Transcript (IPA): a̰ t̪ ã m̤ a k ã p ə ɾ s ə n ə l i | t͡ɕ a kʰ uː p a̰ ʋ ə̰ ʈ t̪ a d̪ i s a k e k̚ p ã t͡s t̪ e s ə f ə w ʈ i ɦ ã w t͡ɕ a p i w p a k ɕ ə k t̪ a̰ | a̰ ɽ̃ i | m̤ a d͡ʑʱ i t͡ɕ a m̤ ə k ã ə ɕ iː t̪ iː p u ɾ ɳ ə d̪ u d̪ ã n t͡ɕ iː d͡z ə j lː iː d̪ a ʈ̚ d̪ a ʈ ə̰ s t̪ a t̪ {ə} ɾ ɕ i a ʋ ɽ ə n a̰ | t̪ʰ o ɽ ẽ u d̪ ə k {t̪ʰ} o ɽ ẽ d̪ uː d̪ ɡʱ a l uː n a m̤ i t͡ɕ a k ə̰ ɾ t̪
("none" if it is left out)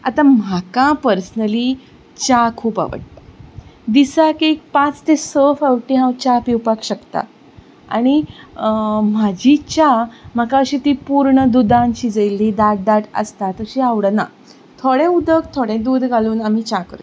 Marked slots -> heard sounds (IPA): ə, t̪ʰ

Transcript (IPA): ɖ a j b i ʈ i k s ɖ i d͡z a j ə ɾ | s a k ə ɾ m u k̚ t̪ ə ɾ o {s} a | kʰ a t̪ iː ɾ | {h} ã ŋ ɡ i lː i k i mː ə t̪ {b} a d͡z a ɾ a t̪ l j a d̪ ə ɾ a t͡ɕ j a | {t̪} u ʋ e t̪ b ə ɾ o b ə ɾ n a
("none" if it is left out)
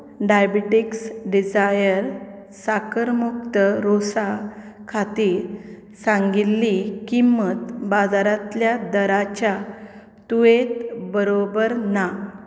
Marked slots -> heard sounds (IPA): s, s, b, t̪

